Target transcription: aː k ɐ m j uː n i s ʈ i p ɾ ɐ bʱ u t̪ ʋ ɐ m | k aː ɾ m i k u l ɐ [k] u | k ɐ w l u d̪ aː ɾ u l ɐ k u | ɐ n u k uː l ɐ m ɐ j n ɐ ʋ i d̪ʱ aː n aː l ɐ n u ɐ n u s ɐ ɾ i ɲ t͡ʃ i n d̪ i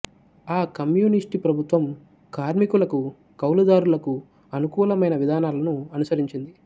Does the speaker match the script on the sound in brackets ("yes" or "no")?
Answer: yes